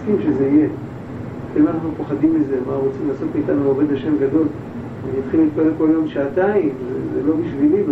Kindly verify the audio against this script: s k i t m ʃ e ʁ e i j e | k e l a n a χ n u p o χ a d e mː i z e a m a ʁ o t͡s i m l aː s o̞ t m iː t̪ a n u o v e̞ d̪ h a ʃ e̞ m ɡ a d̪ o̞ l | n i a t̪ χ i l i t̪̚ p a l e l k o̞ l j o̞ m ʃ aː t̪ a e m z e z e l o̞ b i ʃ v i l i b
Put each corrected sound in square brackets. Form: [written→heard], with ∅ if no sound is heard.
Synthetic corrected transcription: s k i [t→∅] m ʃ e [ʁ→z] e i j e | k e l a n a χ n u p o χ a d [e→i] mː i z e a m a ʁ o t͡s i m l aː s o̞ t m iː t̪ a n u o v e̞ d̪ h a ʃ e̞ m ɡ a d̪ o̞ l | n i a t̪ χ i l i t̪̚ p a l e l k o̞ l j o̞ m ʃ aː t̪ a [e→i] m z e z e l o̞ b i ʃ v i l i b